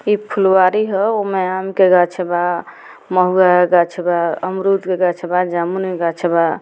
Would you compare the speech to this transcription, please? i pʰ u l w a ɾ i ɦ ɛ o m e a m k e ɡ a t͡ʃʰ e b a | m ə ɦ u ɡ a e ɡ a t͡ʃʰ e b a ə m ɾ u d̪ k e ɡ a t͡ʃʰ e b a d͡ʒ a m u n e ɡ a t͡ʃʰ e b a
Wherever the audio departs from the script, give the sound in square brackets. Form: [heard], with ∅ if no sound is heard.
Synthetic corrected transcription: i pʰ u l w a ɾ i ɦ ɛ o m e a m k e ɡ a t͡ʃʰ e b a | m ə ɦ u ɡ a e ɡ a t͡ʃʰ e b a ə m ɾ u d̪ k e ɡ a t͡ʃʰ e b a d͡ʒ a m u n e ɡ a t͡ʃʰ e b a